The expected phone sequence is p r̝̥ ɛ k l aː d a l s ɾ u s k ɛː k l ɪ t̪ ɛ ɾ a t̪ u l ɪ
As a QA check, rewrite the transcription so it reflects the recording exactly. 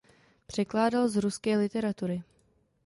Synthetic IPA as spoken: p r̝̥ ɛ k l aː d a l z ɾ u s k ɛː l ɪ t̪ ɛ ɾ a t̪ u ɾ ɪ